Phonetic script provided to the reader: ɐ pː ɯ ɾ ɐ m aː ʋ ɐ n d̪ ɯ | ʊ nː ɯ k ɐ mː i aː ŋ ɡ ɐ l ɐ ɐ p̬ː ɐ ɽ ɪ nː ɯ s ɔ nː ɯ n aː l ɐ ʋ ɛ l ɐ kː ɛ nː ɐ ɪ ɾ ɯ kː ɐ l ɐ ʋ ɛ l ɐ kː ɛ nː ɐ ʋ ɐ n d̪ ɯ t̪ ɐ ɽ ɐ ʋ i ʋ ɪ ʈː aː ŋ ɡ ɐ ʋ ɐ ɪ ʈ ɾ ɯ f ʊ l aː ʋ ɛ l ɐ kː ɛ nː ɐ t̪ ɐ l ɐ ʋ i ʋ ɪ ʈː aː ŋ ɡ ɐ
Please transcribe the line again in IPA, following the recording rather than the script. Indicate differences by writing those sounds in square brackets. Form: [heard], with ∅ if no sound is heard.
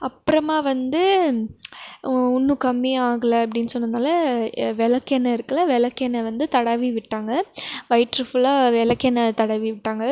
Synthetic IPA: ɐ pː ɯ ɾ ɐ m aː ʋ ɐ n d̪ ɯ | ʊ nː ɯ k ɐ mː i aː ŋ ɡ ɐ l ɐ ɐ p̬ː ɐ ɽ ɪ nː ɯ s ɔ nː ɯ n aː l ɐ ʋ ɛ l ɐ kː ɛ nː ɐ ɪ ɾ ɯ kː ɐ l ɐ ʋ ɛ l ɐ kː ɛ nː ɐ ʋ ɐ n d̪ ɯ t̪ ɐ ɽ ɐ ʋ i ʋ ɪ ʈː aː ŋ ɡ ɐ ʋ ɐ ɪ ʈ ɾ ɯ f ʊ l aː ʋ ɛ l ɐ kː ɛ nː ɐ t̪ ɐ [ɽ] ɐ ʋ i ʋ ɪ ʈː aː ŋ ɡ ɐ